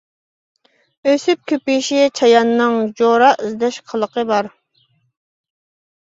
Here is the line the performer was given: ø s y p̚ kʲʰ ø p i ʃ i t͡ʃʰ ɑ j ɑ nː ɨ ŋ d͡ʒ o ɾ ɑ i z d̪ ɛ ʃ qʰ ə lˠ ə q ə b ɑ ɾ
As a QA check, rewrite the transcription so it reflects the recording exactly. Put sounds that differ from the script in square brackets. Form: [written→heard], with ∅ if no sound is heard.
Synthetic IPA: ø s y p̚ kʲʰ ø p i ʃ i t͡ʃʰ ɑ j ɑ nː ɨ ŋ d͡ʒ o ɾ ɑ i z d̪ ɛ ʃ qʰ ə lˠ ə q ə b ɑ ɾ